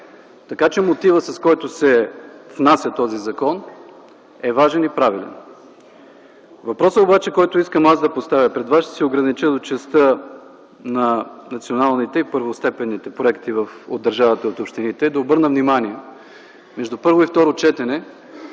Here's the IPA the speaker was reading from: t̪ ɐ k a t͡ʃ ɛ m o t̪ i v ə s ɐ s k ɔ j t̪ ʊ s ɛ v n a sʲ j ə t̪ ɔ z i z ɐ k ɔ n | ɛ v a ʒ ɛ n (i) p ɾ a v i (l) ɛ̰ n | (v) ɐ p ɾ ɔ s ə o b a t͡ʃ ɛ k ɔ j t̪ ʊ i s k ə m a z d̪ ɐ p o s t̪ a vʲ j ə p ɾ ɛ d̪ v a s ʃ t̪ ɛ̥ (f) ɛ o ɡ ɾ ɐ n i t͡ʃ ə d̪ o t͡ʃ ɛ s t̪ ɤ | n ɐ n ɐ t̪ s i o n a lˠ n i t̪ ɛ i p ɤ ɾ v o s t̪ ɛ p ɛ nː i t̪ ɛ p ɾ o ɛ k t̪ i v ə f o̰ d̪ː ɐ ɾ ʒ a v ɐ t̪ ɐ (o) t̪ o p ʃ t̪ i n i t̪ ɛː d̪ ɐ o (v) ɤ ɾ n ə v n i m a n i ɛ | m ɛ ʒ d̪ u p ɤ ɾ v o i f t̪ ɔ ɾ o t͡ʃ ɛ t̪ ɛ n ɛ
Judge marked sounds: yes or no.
yes, yes, yes, no, yes, no

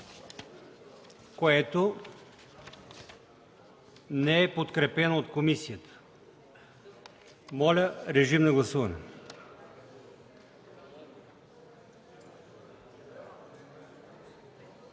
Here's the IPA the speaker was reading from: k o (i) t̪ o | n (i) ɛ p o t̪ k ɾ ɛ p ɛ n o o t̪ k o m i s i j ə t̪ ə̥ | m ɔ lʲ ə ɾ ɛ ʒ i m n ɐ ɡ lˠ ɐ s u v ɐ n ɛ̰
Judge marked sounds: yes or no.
no, no

